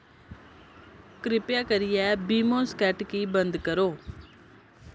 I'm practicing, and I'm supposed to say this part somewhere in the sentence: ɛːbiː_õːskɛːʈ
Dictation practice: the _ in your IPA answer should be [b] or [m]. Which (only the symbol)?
m